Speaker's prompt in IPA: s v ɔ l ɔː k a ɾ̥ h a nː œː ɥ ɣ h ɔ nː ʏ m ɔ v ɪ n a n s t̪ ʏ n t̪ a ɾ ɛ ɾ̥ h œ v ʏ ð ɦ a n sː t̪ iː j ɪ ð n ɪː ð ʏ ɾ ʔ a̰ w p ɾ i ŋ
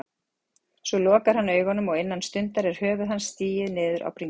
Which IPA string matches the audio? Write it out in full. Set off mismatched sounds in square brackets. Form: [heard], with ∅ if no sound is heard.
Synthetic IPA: s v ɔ l ɔː k a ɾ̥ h a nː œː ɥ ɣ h ɔ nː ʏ m ɔ [ɣ] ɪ [nː] a n s t̪ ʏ n t̪ a ɾ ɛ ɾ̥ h [œː] v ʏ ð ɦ a n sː t̪ iː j ɪ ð n ɪː ð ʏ ɾ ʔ a̰ w p ɾ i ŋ